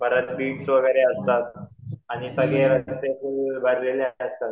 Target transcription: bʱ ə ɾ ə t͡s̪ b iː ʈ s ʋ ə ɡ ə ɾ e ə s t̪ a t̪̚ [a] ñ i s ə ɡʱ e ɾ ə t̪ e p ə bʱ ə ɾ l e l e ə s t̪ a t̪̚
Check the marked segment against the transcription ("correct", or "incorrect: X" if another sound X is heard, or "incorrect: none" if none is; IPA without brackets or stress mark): correct